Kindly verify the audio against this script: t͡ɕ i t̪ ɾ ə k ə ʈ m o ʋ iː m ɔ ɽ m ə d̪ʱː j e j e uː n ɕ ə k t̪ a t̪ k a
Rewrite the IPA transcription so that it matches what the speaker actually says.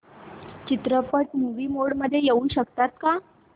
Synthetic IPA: t͡ɕ i t̪ ɾ ə p ə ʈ m u ʋ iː m o ɽ m ə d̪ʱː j e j e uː n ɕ ə k t̪ a t̪ k a